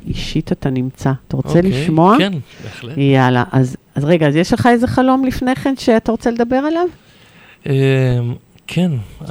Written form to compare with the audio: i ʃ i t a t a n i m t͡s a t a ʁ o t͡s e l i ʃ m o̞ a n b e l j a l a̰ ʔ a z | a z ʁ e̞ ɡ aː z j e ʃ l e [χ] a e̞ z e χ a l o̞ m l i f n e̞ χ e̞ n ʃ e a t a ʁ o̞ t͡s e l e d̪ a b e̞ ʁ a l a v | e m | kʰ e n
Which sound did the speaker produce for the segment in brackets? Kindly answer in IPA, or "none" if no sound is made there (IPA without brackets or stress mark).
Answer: χ